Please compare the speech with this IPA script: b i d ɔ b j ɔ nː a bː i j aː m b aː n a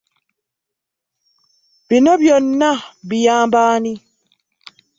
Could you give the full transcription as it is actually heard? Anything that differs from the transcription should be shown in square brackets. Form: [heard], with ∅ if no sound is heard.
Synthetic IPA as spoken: b i [n] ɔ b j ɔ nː a [b] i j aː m b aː n [i]